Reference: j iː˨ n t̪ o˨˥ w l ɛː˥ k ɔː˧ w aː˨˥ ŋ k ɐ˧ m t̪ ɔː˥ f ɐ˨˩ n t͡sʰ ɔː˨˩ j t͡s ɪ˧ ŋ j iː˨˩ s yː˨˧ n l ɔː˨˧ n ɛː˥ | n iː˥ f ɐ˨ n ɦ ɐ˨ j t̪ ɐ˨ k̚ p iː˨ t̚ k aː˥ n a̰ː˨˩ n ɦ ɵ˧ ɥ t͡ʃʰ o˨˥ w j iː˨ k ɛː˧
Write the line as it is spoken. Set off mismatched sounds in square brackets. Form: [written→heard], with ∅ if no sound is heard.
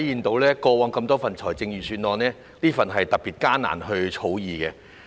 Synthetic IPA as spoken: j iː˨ n t̪ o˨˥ w l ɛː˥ k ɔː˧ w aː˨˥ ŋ k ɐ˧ m t̪ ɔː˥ f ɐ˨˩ n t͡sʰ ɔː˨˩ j t͡s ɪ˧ ŋ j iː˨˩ s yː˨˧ n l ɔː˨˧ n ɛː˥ | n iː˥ f ɐ˨ n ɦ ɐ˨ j t̪ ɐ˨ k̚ p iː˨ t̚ k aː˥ n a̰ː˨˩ n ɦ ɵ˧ ɥ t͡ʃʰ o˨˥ w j iː˨ k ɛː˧